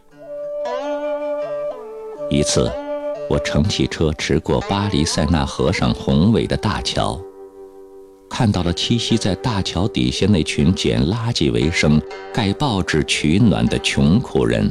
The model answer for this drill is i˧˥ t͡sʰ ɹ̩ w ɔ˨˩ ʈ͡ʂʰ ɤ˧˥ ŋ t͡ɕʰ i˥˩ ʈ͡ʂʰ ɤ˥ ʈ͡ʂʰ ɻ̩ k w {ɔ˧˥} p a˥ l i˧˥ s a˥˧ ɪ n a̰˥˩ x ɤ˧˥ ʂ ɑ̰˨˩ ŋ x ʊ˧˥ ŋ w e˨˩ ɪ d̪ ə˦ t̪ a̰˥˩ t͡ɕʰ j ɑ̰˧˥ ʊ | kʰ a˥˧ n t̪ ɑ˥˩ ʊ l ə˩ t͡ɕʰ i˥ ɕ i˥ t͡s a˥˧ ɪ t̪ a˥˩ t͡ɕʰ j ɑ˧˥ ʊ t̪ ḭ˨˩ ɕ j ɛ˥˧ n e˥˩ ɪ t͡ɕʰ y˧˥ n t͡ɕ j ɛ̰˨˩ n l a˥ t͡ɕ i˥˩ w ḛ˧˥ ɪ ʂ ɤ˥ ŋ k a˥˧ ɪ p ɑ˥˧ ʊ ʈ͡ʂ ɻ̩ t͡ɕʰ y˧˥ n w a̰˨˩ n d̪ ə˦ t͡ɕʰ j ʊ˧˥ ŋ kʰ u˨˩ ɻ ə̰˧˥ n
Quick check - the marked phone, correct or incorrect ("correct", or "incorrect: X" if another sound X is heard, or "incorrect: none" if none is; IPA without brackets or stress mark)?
incorrect: ɔ˥˩